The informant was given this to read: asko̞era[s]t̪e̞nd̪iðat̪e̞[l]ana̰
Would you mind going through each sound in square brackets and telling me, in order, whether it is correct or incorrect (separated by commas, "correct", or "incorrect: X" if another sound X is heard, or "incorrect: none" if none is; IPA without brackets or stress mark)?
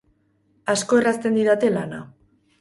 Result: correct, correct